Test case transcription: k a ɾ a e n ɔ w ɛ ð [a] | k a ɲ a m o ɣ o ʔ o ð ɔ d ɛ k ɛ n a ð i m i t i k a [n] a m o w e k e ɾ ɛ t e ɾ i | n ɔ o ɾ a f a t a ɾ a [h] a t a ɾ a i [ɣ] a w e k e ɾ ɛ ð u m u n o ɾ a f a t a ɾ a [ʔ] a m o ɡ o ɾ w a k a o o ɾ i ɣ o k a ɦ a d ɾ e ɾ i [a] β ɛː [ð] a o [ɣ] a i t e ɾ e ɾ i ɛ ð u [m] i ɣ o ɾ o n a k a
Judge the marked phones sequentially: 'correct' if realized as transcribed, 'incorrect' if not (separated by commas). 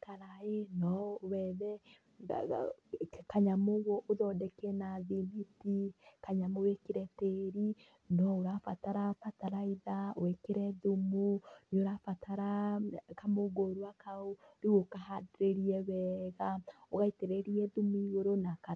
incorrect, incorrect, incorrect, incorrect, incorrect, incorrect, incorrect, correct, correct